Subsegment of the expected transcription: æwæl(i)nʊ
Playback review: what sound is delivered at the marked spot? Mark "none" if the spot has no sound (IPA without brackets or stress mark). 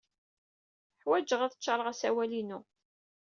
i